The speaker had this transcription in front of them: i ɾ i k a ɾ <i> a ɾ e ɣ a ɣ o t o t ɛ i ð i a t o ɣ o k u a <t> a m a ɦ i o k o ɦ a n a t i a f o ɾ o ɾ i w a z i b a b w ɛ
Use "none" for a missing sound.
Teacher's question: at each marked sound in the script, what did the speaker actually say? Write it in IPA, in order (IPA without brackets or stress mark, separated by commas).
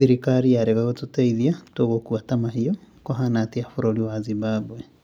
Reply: i, t